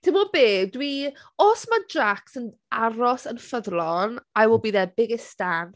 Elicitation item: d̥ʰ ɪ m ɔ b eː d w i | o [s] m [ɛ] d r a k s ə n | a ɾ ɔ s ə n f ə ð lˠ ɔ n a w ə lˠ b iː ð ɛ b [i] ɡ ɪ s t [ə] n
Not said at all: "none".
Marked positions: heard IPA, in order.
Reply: s, a, ɪ, a

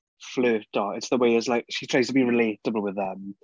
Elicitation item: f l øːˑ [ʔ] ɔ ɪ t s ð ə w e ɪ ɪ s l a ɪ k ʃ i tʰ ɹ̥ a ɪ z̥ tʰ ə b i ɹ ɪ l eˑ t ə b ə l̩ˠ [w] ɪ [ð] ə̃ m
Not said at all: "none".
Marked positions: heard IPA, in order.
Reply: t, w, ð

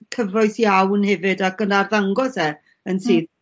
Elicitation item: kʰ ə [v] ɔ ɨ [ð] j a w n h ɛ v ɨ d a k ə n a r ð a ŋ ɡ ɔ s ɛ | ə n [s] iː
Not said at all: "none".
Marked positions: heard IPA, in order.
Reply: v, θ, s

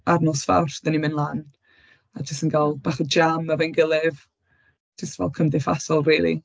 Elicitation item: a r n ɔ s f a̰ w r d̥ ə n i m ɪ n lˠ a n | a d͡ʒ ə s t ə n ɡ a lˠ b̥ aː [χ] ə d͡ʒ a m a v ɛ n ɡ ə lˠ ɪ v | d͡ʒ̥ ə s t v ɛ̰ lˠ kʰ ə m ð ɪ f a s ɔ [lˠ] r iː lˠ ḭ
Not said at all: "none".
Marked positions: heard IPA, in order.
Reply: χ, lˠ

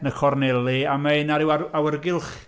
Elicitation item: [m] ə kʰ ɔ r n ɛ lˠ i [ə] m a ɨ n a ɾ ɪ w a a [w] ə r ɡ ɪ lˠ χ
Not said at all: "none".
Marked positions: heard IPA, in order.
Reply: n, a, w

